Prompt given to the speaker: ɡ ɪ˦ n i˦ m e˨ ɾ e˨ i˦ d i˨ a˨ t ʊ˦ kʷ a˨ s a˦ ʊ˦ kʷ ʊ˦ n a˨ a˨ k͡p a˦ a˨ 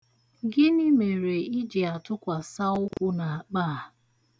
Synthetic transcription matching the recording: ɡ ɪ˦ n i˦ m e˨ ɾ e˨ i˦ d͡ʒ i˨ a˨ t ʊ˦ kʷ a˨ s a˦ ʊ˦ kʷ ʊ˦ n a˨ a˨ k͡p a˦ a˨